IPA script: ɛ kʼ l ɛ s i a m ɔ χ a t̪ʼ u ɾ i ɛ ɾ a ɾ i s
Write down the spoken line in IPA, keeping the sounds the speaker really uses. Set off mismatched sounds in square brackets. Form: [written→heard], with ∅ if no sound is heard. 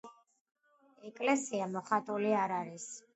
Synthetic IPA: ɛ kʼ l ɛ s i a m ɔ χ a t̪ʼ u [ɾ→l] i [ɛ→a] ɾ a ɾ i s